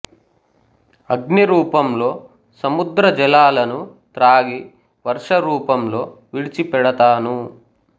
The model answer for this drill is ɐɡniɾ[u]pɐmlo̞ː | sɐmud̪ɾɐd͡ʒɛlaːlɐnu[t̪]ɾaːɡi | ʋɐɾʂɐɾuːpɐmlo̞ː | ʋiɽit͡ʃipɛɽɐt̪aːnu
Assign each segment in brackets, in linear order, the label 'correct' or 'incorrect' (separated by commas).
incorrect, correct